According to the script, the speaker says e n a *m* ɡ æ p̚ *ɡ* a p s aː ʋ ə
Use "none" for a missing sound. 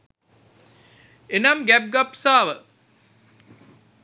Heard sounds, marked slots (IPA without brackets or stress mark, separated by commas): m, ɡ